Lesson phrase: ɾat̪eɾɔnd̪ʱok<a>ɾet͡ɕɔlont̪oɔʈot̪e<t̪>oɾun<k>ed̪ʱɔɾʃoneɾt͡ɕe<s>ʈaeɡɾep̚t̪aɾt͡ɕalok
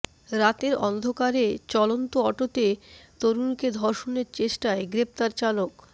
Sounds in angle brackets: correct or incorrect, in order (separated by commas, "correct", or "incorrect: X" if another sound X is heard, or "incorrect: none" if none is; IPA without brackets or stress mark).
correct, correct, correct, incorrect: ʃ